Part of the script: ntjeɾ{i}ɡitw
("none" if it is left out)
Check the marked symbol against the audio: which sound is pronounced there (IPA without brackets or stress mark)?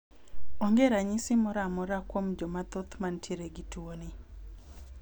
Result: e